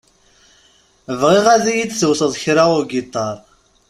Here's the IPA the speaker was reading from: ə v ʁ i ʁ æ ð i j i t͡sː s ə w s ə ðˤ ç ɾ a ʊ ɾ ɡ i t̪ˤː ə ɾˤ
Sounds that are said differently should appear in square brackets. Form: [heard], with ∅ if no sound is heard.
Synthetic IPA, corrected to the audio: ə v ʁ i ʁ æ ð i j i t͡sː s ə w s ə ðˤ ç ɾ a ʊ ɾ ɡ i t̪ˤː [ɑ] ɾˤ